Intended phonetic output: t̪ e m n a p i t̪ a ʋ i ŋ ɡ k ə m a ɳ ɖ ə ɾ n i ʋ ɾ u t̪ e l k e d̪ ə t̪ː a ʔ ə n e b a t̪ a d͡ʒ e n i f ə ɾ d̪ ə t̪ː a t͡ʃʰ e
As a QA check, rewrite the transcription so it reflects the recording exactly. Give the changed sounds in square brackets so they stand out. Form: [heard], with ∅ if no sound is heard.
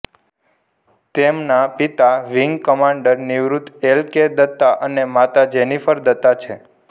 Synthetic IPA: t̪ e m n a p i t̪ a ʋ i ŋ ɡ k ə m a ɳ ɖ ə ɾ n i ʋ ɾ u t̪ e l k e d̪ ə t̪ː a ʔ ə n e [m] a t̪ a d͡ʒ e n i f ə ɾ d̪ ə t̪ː a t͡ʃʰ e